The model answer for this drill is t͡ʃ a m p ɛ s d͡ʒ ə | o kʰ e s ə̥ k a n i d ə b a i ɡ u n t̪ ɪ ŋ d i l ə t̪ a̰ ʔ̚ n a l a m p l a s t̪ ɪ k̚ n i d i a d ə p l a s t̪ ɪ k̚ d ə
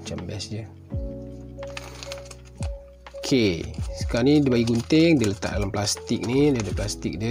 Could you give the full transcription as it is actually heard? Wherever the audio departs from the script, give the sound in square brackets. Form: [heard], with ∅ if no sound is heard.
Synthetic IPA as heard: t͡ʃ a m [b] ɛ s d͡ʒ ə | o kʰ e s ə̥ k a n i d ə b a i ɡ u n t̪ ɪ ŋ d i l ə t̪ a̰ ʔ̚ [d] a l a m p l a s t̪ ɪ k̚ n i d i a d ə p l a s t̪ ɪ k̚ d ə

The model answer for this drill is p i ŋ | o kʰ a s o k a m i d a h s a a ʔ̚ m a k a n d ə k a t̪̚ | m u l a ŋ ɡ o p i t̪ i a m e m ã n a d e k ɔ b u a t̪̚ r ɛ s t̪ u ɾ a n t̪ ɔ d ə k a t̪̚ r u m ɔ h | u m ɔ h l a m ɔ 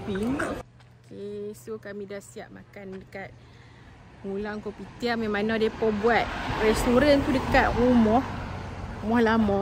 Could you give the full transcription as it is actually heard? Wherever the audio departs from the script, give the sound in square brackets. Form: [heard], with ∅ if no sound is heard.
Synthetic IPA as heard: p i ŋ | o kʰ [e] s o k a m i d a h s [i] a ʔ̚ m a k a n d ə k a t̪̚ | [ŋ] u l a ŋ [k] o p i t̪ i a m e m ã n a d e [p] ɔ b u a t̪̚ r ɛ s t̪ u ɾ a n t̪ [u] d ə k a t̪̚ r u m ɔ h | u m ɔ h l a m ɔ

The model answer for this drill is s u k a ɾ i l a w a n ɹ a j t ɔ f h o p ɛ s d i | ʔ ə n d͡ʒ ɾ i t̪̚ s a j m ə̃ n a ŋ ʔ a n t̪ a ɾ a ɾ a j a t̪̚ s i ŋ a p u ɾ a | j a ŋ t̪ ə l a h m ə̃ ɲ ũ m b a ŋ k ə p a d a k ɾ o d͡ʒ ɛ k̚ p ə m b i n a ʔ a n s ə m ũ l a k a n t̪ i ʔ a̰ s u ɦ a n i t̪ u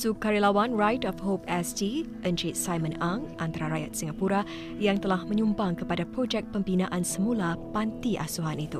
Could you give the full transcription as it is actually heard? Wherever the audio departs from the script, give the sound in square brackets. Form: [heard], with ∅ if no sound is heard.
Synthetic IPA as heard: s u k a ɾ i l a w a n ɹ a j t ɔ f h o p ɛ s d i | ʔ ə n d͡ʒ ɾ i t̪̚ s a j m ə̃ n a ŋ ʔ a n t̪ a ɾ a ɾ a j a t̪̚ s i ŋ a p u ɾ a | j a ŋ t̪ ə l a h m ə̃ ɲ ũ m b a ŋ k ə p a d a [p] ɾ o d͡ʒ ɛ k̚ p ə m b i n a ʔ a n s ə m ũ l a [p] a n t̪ i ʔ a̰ s u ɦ a n i t̪ u

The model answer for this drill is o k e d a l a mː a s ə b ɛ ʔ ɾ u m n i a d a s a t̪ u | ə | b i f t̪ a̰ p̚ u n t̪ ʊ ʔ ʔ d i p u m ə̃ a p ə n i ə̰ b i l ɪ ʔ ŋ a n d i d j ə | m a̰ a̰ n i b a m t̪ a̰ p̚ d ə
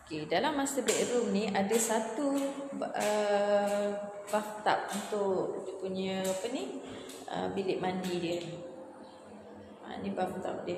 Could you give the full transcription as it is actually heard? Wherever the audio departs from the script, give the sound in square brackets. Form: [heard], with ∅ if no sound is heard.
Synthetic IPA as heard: o k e d a l a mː a s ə b ɛ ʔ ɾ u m n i a d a s a t̪ u | ə | b [a] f t̪ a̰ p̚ u n t̪ ʊ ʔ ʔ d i p u [ɲ] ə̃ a p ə n i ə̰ b i l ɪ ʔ [m] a n d i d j ə | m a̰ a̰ n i b a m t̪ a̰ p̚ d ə

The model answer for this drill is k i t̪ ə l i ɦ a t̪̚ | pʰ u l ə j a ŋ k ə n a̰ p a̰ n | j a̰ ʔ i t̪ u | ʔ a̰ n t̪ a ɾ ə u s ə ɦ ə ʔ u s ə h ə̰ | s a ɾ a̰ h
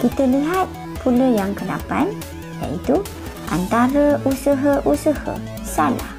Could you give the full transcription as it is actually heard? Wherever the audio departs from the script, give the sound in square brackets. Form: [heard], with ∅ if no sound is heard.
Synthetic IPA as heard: k i t̪ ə l i ɦ a t̪̚ | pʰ u l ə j a ŋ k ə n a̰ p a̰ n | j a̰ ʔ i t̪ u | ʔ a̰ n t̪ a ɾ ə u s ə ɦ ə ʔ u s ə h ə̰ | s a [l] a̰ h

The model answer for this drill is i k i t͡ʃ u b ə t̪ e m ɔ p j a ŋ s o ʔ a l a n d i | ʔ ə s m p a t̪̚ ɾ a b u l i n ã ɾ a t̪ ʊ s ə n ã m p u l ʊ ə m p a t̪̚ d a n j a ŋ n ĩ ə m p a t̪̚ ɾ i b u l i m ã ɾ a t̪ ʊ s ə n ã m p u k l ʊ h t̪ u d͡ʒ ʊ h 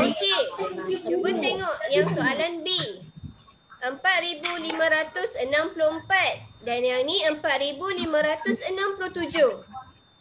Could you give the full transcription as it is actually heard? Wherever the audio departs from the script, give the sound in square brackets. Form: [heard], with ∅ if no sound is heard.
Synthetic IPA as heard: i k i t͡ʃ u b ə t̪ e [ŋ] ɔ [ʔ] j a ŋ s o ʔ a l a n [b] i | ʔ ə [∅] m p a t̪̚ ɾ [i] b u l i [m] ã ɾ a t̪ ʊ s ə n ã m p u l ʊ ə m p a t̪̚ d a n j a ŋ n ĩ ə m p a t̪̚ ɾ i b u l i m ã ɾ a t̪ ʊ s ə n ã m p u [∅] l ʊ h t̪ u d͡ʒ ʊ h

